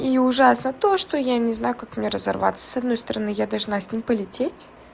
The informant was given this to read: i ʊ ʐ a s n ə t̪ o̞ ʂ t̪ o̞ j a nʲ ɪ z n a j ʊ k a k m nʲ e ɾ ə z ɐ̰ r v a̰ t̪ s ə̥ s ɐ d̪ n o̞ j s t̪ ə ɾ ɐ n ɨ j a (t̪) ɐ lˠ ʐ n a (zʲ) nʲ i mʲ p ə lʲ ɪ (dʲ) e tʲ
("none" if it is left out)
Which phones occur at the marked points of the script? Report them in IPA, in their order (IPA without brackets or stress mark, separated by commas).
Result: d̪, sʲ, tʲ